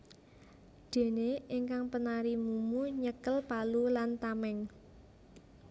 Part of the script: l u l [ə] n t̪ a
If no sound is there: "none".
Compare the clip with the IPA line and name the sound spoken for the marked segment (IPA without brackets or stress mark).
a